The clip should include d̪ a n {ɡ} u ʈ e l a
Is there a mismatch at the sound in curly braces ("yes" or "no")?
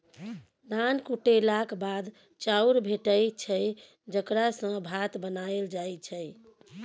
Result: yes